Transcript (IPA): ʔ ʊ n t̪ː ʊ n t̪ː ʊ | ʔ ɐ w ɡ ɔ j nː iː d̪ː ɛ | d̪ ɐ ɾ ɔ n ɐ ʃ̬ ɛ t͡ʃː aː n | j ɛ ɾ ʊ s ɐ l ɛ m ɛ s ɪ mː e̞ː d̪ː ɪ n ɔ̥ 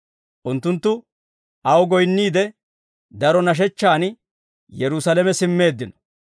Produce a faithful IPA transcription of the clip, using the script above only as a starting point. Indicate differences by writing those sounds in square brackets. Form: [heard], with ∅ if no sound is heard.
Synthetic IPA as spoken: ʔ ʊ n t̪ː ʊ n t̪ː ʊ | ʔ ɐ w ɡ ɔ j nː iː [d̪] ɛ | d̪ ɐ ɾ ɔ n ɐ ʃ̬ ɛ t͡ʃː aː n | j ɛ ɾ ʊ s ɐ l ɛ m ɛ s ɪ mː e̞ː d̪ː ɪ n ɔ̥